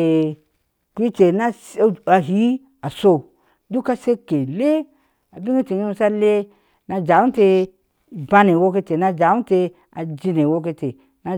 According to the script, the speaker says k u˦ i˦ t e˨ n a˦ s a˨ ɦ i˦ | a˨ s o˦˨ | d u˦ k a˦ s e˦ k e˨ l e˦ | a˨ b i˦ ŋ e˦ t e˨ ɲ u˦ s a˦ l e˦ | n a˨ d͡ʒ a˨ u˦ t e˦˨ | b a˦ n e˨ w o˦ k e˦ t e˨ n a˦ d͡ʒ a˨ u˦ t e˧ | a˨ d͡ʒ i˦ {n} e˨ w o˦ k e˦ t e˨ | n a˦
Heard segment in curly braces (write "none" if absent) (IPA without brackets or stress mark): n